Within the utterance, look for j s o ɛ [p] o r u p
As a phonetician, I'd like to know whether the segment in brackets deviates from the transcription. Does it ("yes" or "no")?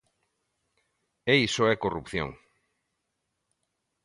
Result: yes